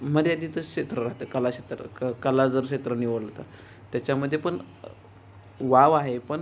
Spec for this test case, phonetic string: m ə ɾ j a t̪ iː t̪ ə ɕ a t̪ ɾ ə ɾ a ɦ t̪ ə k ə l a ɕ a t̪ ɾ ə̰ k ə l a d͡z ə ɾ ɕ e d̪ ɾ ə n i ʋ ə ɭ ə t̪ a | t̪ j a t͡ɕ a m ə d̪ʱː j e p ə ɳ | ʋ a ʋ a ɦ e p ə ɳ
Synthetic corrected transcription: m ə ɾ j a d̪ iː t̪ ə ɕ e t̪ ɾ ə ɾ a ɦ t̪ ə k ə l a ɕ e t̪ ɾ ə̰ k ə l a d͡z ə ɾ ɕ e t̪ ɾ ə n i ʋ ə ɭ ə t̪ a | t̪ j a t͡ɕ a m ə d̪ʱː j e p ə ɳ | ʋ a ʋ a ɦ e p ə ɳ